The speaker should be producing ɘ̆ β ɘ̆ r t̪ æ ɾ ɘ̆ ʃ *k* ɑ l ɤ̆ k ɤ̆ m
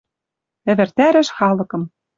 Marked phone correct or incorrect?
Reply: incorrect